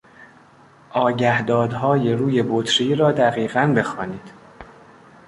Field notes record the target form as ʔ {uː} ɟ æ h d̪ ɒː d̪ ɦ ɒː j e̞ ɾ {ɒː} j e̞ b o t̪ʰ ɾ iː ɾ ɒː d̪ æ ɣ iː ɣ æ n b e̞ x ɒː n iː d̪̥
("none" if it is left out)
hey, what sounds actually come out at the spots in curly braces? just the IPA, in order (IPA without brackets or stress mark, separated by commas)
ɒː, uː